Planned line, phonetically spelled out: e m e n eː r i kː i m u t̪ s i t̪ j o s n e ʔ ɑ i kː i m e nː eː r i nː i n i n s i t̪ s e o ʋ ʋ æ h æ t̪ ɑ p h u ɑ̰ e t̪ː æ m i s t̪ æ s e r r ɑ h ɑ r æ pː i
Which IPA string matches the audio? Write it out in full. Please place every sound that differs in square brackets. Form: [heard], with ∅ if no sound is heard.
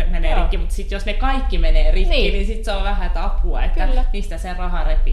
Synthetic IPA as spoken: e m e n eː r i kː i m u t̪ s i t̪ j o s n e [k] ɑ i kː i m e [n] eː r i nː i n i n s i t̪ s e o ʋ ʋ æ h æ t̪ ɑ p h u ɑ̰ e t̪ː æ m i s t̪ æ s e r r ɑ h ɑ r [e] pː i